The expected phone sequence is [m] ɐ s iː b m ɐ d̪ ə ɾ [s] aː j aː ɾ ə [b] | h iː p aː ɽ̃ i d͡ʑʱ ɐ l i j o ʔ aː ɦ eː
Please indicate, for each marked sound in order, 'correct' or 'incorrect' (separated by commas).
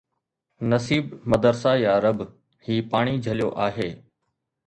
incorrect, correct, correct